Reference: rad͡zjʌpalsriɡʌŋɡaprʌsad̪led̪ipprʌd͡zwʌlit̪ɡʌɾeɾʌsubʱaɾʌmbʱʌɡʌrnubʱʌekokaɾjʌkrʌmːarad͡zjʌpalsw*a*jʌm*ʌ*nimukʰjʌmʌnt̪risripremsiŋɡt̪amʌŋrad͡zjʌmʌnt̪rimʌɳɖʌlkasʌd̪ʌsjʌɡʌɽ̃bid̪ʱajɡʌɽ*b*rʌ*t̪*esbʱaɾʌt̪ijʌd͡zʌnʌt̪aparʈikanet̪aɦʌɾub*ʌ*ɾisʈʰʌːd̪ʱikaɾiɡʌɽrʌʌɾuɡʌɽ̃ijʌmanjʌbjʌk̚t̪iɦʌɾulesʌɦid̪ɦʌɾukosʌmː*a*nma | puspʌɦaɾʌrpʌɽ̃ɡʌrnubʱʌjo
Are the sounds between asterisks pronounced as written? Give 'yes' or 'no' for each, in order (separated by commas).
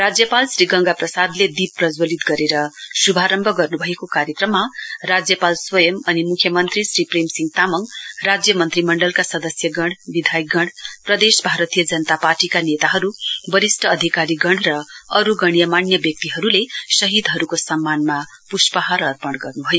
no, yes, no, no, yes, yes